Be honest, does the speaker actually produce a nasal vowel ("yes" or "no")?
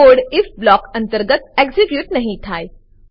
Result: yes